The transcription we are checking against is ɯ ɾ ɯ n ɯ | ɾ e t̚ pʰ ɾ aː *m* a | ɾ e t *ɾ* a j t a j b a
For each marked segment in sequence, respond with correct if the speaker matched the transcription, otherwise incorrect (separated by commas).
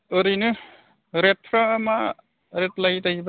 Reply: correct, incorrect